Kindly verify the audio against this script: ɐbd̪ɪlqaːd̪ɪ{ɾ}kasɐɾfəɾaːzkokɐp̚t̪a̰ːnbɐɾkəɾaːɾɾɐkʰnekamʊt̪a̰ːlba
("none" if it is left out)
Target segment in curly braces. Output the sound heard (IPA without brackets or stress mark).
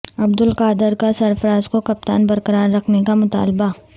ɾ